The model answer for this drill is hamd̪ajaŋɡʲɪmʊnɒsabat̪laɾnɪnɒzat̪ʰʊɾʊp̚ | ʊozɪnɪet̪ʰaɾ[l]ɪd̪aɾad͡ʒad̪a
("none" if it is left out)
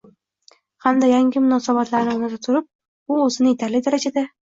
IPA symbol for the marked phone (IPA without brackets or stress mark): l